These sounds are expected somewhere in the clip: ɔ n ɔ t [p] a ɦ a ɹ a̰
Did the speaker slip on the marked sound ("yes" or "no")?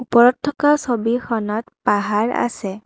no